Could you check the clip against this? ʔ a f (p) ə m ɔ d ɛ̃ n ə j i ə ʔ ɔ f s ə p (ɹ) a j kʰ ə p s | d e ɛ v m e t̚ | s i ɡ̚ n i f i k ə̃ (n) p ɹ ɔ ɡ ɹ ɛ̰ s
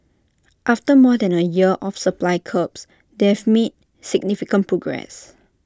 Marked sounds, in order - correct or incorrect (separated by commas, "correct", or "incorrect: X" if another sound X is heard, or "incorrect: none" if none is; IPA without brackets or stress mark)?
incorrect: t, incorrect: l, correct